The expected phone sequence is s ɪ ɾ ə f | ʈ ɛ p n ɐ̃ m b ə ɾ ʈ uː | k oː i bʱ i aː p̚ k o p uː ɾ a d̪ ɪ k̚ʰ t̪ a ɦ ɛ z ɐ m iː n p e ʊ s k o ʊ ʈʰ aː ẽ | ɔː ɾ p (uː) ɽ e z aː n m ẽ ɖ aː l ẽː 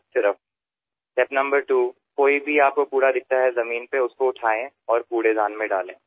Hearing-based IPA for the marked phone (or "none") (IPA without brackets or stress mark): uː